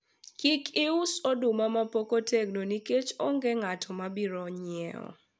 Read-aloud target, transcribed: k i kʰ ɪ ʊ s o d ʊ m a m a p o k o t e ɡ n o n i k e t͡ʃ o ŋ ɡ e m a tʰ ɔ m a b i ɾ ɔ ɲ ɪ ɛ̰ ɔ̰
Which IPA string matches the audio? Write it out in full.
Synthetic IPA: k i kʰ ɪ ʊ s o d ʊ m a m a p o k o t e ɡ n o n i k e t͡ʃ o ŋ ɡ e ŋ a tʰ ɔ m a b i ɾ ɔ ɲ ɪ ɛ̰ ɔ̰